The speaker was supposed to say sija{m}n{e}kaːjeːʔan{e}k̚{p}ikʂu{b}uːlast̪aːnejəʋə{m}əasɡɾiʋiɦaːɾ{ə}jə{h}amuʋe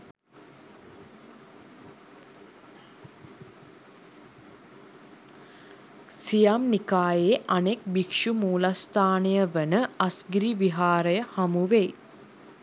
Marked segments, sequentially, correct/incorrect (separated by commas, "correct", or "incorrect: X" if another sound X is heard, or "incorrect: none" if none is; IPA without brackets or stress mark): correct, incorrect: i, correct, incorrect: b, incorrect: m, incorrect: n, correct, correct